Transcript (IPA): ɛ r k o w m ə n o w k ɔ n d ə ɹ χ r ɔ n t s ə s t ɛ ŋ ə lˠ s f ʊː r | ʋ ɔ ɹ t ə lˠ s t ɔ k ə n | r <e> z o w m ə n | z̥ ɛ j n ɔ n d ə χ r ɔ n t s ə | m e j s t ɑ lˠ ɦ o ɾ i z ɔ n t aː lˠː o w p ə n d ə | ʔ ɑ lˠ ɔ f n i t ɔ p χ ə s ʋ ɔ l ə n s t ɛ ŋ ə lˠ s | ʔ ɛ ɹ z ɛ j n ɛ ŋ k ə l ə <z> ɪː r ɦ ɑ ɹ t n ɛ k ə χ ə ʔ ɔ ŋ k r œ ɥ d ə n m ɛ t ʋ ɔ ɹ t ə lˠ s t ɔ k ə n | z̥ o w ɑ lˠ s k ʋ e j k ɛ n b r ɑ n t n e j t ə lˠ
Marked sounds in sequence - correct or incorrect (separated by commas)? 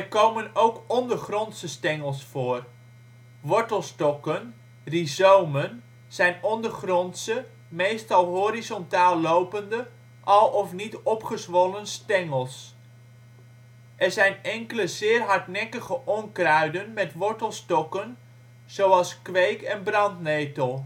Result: incorrect, correct